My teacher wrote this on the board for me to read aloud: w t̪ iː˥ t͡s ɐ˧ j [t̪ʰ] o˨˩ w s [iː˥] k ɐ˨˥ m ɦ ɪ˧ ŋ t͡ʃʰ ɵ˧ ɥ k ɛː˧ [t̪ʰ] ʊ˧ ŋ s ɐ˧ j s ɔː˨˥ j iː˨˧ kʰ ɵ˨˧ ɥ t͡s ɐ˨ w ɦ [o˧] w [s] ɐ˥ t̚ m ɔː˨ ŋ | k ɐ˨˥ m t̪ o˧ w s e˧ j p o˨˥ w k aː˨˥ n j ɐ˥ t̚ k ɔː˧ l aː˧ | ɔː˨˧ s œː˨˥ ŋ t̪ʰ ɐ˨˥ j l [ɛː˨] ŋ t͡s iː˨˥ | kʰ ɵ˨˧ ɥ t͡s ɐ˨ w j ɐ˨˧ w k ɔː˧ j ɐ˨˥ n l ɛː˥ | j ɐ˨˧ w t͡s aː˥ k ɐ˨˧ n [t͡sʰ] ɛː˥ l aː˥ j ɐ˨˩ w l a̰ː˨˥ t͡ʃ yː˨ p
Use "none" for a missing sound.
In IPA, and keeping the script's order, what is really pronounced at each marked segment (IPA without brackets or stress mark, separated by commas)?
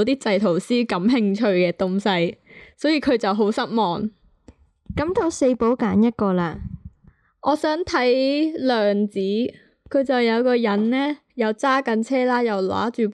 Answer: t̪ʰ, iː˥, t̪, o˨˥, s, œː˨, t͡sʰ